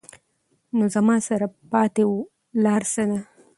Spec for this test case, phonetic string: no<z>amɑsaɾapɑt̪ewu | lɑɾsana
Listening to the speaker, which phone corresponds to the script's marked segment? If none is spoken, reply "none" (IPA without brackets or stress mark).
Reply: z